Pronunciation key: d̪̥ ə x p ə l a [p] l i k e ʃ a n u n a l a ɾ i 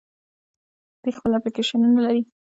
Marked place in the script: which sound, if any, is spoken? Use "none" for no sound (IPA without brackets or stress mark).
p